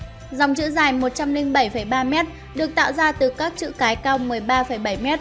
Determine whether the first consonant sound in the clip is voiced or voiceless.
voiced